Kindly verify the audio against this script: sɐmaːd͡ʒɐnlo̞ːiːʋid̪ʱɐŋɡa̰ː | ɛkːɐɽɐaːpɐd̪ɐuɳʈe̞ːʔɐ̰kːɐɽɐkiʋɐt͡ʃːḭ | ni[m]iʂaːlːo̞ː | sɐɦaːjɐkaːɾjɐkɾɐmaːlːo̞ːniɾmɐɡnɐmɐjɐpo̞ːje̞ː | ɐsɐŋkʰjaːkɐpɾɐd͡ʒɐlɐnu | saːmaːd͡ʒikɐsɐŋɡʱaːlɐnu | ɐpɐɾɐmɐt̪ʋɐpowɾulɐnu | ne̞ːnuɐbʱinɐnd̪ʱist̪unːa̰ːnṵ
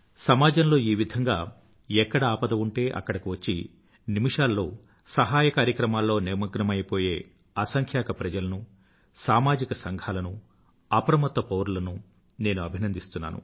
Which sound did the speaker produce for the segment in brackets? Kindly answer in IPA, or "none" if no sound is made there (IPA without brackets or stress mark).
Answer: m